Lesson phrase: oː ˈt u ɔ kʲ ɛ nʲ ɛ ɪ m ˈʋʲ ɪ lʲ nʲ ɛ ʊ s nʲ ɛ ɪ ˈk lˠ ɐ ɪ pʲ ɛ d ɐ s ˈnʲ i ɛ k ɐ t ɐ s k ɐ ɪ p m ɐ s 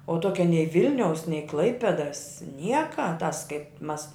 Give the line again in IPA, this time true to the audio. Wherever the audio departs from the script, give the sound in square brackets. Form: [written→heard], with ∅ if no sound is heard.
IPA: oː ˈt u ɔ kʲ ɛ nʲ ɛ ɪ [m→∅] ˈʋʲ ɪ lʲ nʲ ɛ ʊ s nʲ ɛ ɪ ˈk lˠ ɐ ɪ pʲ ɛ d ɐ s ˈnʲ i ɛ k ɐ t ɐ s k ɐ ɪ p m ɐ s